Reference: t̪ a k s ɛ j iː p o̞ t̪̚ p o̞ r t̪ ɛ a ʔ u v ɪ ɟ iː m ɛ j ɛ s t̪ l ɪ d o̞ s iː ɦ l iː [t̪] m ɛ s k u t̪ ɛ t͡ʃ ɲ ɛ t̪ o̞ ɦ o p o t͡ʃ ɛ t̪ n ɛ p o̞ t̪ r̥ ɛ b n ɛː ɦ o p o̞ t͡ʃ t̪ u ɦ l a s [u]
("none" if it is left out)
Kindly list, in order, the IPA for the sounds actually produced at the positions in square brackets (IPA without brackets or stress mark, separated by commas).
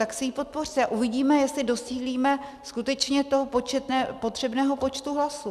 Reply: none, u